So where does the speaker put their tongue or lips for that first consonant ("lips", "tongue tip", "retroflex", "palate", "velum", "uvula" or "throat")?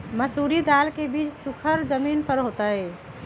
lips